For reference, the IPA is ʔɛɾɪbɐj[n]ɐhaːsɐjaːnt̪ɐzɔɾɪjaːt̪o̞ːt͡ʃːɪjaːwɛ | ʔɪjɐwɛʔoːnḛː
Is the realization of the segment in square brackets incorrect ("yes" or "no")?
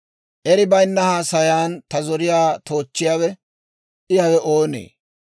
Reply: yes